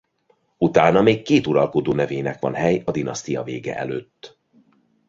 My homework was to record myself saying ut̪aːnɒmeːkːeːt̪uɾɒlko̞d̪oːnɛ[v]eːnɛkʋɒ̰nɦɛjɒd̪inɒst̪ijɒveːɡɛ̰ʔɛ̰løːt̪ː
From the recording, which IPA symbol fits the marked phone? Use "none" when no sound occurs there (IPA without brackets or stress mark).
v